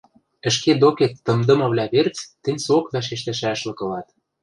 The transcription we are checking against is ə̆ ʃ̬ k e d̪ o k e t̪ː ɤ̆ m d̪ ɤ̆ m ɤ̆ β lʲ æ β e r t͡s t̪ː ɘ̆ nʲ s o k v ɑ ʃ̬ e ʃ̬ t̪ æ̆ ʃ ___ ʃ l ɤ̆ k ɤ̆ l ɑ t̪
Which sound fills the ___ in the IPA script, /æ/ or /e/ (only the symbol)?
æ